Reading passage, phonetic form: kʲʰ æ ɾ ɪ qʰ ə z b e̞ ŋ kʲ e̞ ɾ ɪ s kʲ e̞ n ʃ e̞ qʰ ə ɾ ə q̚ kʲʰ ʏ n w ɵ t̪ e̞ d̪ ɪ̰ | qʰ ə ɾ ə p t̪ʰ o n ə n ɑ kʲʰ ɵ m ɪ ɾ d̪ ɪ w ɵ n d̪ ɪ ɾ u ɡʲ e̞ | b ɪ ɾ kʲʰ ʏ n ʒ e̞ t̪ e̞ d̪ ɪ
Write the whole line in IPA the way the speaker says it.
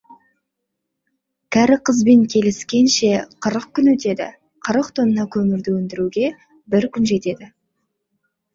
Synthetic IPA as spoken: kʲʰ æ ɾ ɪ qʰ ə z b e̞ ŋ kʲʰ e̞ l ɪ s kʲ e̞ n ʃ e̞ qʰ ə ɾ ə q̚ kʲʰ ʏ n w ɵ t̪ e̞ d̪ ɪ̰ | qʰ ə ɾ ə q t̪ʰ o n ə n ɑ kʲʰ ɵ m ɪ ɾ d̪ ɪ w ɵ n d̪ ɪ ɾ u ɡʲ e̞ | b ɪ ɾ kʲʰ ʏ n ʒ e̞ t̪ e̞ d̪ ɪ